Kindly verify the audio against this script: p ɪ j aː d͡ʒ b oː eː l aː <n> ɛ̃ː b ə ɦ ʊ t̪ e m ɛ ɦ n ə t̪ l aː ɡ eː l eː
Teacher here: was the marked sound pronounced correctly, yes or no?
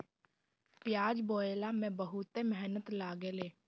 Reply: no